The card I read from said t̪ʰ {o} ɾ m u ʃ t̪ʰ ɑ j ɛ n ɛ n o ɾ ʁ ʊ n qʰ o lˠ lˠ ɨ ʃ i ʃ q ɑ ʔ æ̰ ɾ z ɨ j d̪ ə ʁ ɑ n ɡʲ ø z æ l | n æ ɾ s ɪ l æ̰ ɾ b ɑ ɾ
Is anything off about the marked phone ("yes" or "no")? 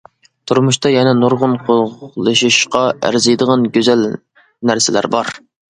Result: yes